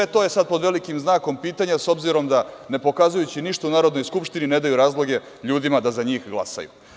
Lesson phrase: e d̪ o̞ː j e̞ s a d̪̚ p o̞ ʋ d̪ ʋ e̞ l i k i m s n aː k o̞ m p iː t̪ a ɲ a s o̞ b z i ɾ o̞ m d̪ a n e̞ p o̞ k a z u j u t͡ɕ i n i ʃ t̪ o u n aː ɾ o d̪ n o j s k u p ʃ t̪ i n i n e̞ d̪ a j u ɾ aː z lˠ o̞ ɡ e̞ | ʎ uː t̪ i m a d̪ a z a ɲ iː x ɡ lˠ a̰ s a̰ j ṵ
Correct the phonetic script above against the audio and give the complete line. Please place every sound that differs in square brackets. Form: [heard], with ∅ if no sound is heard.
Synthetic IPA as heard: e [t̪] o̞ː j e̞ s a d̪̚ p o̞ [∅] d̪ ʋ e̞ l i k i m [z] n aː k o̞ m p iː t̪ a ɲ a s o̞ b z i ɾ o̞ m d̪ a n e̞ p o̞ k a z u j u t͡ɕ i n i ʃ t̪ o u n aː ɾ o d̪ n o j s k u p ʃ t̪ i n i n e̞ d̪ a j u ɾ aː z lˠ o̞ ɡ e̞ | ʎ uː [d̪] i m a d̪ a z a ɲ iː x ɡ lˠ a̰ s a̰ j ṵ